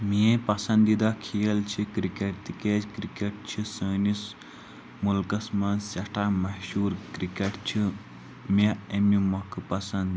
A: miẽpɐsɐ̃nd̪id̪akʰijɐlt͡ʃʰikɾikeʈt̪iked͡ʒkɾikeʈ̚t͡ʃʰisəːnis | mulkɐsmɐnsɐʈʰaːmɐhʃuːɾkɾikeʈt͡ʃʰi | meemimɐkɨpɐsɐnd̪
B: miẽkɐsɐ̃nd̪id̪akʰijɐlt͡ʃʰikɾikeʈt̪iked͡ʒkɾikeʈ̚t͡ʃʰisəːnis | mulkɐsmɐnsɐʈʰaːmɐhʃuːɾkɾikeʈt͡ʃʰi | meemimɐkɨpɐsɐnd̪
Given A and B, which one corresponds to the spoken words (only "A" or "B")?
A